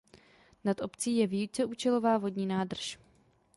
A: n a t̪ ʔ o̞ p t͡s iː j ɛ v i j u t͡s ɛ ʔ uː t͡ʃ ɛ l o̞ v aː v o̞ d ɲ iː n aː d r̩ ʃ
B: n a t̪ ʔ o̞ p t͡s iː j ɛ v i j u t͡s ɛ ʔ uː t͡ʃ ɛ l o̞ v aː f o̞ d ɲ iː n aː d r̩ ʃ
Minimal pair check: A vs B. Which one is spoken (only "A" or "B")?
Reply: A